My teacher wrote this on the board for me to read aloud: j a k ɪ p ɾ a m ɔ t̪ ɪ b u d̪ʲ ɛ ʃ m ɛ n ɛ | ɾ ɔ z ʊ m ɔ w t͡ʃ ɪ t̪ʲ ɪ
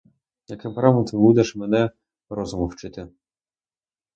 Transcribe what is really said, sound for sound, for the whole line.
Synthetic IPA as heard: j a k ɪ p ɾ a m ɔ t̪ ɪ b u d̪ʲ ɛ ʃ m ɛ n ɛ | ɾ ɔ z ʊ m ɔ w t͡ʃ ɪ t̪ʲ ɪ

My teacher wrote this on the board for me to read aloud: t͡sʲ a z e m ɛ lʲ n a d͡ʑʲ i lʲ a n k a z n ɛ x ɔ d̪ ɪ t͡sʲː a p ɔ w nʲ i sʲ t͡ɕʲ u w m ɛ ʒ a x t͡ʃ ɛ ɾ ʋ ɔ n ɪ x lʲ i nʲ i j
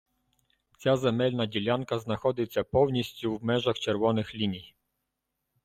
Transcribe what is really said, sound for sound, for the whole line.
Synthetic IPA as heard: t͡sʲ a z ɛ m ɛ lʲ n a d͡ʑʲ i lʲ a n k a z n a x ɔ d̪ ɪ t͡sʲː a p ɔ w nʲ i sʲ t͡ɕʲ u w m ɛ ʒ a x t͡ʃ ɛ ɾ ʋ ɔ n ɪ x lʲ i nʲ i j

